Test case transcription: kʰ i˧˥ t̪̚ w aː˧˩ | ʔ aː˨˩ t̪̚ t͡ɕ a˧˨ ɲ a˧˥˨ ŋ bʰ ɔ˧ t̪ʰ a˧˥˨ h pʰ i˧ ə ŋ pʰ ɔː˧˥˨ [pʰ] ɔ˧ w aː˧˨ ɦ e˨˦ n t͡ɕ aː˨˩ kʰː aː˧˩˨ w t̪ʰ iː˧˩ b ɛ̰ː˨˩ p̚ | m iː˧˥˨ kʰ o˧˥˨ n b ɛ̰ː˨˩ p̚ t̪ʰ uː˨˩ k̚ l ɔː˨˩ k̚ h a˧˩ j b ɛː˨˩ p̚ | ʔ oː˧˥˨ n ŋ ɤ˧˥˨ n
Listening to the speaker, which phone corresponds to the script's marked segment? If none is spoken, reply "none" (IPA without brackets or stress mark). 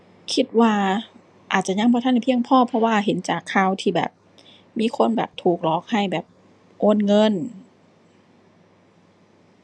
pʰ